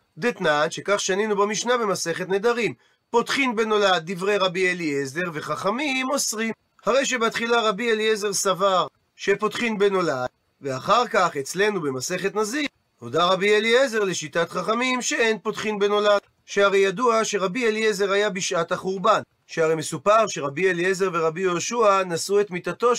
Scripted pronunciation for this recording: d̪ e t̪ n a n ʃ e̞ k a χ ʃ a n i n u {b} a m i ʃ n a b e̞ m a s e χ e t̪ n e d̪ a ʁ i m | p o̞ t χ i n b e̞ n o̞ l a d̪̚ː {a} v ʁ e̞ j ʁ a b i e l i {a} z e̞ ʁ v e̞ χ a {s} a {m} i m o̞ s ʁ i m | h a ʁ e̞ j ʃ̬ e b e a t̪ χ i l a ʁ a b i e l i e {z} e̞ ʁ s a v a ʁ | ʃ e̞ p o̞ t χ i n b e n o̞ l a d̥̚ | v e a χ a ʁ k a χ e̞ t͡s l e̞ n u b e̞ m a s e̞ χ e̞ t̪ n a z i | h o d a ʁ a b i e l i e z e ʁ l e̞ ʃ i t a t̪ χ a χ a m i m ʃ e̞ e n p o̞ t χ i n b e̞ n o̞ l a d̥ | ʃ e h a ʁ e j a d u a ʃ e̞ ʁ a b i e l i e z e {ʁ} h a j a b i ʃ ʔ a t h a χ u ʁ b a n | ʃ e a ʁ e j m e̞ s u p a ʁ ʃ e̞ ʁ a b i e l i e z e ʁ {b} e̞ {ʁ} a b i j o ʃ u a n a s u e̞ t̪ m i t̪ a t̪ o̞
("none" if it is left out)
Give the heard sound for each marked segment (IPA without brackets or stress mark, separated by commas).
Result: b, i, e, χ, m, z, ʁ, v, ʁ